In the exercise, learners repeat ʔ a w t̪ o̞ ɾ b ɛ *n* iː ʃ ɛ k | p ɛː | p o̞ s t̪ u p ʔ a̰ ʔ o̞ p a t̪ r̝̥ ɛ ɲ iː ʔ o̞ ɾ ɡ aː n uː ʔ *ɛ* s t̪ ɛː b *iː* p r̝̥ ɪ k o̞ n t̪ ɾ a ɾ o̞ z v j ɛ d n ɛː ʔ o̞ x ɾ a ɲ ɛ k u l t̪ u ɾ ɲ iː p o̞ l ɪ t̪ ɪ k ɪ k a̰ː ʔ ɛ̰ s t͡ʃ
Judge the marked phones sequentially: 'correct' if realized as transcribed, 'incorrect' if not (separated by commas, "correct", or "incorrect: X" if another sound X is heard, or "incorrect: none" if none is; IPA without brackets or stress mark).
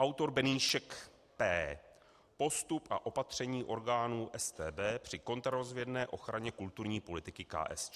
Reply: correct, correct, incorrect: ɛː